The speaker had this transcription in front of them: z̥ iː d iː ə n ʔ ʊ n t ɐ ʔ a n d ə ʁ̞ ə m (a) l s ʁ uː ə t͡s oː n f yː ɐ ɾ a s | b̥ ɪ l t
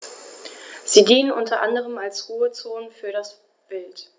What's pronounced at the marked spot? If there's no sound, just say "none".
a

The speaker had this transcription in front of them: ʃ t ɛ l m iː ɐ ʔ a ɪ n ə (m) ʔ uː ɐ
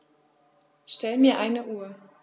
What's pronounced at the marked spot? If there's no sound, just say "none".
none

